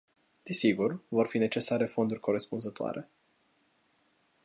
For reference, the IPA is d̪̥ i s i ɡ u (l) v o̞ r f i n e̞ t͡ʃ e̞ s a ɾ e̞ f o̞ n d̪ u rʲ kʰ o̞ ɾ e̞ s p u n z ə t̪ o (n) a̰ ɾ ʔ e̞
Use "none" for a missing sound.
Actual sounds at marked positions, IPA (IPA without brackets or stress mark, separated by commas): r, none